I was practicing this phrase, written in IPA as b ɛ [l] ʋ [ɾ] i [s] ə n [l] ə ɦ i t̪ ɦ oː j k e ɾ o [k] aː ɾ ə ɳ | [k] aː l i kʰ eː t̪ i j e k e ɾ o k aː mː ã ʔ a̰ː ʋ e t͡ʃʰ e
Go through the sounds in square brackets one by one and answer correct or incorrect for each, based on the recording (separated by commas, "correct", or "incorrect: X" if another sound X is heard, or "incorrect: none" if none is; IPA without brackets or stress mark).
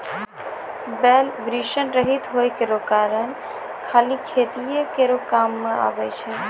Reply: correct, correct, incorrect: ʃ, incorrect: ɾ, correct, incorrect: kʰ